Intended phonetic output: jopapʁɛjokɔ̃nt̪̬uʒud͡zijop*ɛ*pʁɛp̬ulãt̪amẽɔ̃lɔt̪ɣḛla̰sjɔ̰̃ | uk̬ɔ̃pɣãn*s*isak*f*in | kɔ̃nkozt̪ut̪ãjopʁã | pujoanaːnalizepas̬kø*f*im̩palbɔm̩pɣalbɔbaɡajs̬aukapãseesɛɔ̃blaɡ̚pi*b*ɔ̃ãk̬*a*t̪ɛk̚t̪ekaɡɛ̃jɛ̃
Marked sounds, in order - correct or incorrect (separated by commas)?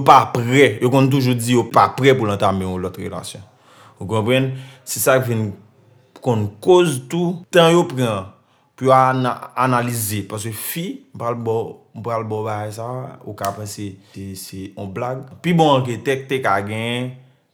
incorrect, correct, incorrect, correct, correct, incorrect